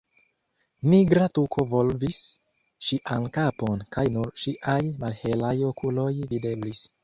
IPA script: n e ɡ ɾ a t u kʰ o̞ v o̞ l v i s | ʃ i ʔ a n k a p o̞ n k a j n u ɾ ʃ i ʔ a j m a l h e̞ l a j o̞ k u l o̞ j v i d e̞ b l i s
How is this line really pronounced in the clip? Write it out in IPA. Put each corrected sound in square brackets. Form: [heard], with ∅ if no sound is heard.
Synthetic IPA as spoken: n [i] ɡ ɾ a t u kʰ o̞ v o̞ l v i s | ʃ i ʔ a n k a p o̞ n k a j n u ɾ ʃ i ʔ a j m a l h e̞ l a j o̞ k u l o̞ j v i d e̞ b l i s